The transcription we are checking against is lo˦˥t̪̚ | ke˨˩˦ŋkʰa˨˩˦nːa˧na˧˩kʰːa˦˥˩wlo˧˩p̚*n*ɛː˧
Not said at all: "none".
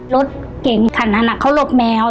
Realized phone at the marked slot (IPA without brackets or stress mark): m